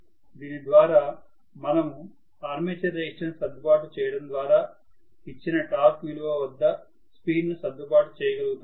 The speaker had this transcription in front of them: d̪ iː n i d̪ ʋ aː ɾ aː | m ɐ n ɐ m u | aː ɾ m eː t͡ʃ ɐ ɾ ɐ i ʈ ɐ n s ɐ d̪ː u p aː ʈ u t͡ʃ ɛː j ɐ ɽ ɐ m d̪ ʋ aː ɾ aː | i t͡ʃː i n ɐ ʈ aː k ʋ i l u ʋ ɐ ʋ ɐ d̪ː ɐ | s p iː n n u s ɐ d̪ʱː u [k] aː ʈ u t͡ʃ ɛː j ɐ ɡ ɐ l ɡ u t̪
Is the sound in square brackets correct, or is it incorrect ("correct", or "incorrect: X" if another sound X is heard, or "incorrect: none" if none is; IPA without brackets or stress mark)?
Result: incorrect: p